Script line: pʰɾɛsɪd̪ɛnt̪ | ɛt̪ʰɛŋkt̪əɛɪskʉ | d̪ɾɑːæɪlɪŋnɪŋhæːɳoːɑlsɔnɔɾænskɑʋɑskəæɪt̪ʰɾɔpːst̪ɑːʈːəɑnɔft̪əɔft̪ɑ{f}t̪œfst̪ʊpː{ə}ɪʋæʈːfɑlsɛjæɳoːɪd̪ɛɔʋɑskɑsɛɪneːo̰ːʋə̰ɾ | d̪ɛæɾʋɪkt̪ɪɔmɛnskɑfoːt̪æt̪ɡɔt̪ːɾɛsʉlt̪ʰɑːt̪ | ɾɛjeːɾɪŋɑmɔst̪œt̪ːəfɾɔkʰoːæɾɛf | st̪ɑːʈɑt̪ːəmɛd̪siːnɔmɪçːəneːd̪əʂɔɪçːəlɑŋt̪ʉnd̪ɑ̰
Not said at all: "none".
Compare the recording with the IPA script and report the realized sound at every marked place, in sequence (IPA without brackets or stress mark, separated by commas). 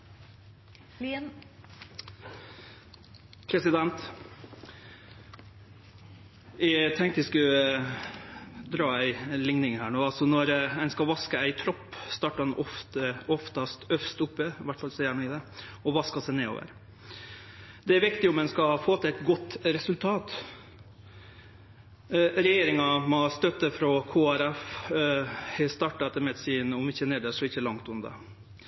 s, ə